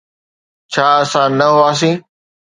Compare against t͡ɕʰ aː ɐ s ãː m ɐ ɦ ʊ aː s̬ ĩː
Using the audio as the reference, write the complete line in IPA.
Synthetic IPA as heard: t͡ɕʰ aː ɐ s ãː n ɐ ɦ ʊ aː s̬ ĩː